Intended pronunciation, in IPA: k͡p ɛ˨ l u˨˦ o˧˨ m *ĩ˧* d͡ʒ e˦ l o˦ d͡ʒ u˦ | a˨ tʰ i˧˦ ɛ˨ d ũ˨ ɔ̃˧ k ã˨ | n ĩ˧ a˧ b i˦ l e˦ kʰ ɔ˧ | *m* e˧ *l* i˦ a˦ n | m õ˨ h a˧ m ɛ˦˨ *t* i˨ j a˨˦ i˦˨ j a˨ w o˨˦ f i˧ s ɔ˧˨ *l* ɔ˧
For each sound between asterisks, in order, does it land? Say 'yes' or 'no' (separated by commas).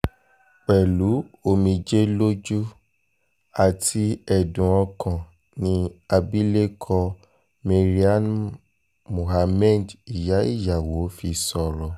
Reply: yes, yes, no, no, no